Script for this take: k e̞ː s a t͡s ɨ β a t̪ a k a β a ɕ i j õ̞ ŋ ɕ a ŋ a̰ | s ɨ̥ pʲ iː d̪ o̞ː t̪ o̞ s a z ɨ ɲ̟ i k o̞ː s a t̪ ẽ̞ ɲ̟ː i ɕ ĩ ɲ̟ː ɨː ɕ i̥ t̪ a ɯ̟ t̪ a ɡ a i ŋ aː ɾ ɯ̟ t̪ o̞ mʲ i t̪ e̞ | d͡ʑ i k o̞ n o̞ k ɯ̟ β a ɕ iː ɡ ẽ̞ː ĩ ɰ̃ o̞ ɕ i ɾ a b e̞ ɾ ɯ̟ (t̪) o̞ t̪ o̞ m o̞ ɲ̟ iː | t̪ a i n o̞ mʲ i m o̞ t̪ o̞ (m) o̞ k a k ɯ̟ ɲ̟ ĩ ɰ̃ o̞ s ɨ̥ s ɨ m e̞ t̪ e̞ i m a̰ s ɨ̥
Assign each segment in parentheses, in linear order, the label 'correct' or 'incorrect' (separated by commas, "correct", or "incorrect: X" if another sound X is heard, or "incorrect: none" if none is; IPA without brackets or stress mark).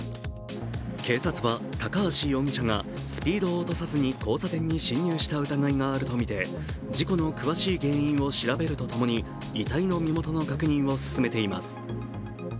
correct, incorrect: n